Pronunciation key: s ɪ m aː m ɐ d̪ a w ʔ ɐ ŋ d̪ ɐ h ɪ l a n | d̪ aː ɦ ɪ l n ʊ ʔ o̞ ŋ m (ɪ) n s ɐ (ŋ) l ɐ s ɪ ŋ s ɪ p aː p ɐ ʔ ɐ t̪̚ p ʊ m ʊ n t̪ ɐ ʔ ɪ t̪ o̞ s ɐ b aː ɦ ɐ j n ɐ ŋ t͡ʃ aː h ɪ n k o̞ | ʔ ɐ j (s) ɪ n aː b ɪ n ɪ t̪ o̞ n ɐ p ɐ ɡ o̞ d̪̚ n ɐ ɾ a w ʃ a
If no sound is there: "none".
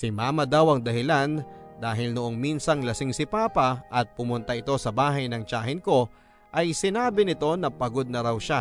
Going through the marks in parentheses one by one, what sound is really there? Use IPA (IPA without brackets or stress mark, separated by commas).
i, ŋ, s